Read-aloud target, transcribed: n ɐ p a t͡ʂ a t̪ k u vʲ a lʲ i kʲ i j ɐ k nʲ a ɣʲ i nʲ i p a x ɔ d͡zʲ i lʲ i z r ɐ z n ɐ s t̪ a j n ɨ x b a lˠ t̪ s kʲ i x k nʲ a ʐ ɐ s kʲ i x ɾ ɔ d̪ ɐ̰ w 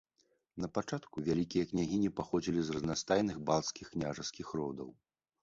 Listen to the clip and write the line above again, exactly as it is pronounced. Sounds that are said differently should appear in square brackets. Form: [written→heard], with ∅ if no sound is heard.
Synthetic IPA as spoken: n ɐ p a t͡ʂ a t̪ k u vʲ a lʲ i kʲ i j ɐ k nʲ a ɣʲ i nʲ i p a x ɔ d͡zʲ i lʲ i z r ɐ z n [ɐ→a] s t̪ a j n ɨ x b a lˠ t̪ s kʲ i x k nʲ a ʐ ɐ s kʲ i x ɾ ɔ d̪ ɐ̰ w